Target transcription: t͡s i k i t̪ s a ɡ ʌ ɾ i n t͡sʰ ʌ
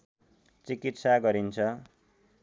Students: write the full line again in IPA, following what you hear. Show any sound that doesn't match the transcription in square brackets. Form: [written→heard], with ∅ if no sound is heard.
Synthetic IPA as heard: t͡s i k i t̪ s a ɡ ʌ ɾ i n t͡sʰ ʌ